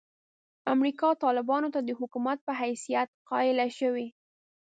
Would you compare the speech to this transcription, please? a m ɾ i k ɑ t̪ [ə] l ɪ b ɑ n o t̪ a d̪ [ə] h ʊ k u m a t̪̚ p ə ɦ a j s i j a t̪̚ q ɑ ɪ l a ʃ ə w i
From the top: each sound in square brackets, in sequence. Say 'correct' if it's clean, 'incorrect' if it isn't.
incorrect, correct

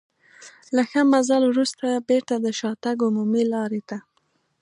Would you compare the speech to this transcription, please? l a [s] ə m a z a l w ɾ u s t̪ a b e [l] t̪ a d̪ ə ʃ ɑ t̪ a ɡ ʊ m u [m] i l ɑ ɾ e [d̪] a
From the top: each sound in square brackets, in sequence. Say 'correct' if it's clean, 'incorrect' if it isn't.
incorrect, incorrect, correct, incorrect

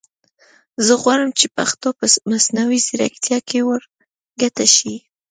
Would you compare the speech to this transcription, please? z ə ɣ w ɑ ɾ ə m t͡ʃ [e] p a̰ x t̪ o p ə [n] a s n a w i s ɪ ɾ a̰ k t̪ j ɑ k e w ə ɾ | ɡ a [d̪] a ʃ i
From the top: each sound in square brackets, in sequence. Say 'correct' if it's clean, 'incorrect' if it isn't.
correct, incorrect, incorrect

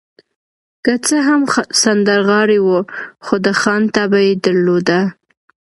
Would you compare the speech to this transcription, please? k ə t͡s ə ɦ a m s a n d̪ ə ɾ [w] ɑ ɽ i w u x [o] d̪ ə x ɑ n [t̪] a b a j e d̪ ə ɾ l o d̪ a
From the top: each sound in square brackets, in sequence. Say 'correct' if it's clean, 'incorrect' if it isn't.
incorrect, correct, correct

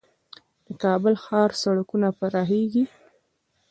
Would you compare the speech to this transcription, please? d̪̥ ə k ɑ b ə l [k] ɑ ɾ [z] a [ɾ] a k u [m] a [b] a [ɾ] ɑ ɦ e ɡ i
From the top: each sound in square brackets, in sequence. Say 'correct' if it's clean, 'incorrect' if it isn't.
incorrect, incorrect, incorrect, incorrect, incorrect, correct

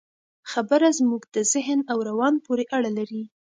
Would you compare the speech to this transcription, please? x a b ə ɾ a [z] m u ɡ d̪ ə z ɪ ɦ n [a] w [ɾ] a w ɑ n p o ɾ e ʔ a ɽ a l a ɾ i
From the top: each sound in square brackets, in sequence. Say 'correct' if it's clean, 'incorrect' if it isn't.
correct, correct, correct

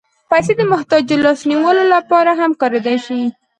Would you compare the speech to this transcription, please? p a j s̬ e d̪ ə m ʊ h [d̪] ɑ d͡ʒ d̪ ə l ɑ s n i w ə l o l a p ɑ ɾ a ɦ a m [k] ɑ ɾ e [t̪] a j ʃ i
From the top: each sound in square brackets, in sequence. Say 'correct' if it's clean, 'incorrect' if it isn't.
incorrect, correct, incorrect

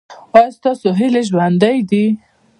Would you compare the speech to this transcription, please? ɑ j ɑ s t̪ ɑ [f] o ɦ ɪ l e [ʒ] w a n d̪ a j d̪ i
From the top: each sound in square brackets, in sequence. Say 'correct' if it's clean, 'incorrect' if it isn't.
incorrect, correct

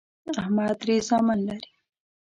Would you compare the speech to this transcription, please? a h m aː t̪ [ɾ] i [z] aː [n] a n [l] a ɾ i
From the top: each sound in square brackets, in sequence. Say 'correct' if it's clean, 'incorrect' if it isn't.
correct, correct, incorrect, correct

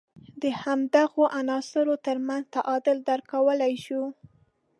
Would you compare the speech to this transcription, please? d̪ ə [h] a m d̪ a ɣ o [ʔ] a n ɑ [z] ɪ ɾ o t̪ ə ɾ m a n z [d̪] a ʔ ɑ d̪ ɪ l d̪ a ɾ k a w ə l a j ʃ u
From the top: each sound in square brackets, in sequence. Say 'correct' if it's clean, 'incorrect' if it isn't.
correct, correct, incorrect, incorrect

